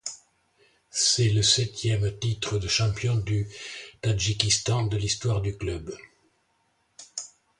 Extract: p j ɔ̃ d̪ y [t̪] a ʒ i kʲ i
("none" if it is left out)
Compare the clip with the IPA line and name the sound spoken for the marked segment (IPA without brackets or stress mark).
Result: t̪